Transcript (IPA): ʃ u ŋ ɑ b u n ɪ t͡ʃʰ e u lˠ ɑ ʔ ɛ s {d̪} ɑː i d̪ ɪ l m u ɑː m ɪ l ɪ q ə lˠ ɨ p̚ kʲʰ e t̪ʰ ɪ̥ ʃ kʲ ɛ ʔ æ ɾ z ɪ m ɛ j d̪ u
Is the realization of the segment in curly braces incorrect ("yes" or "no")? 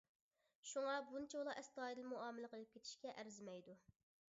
yes